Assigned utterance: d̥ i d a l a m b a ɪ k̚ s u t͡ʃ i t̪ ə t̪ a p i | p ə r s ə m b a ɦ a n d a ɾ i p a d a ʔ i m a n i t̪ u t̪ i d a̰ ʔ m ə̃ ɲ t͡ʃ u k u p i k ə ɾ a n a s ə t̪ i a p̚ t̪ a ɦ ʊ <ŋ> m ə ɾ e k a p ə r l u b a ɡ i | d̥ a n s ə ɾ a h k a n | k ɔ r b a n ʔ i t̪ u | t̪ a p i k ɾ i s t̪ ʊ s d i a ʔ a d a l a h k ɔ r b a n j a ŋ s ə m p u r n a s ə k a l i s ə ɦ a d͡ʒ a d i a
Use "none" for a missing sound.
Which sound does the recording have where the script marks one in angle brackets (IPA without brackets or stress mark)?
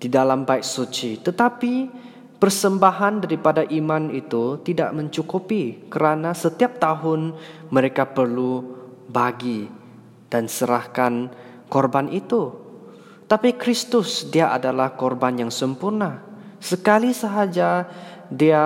n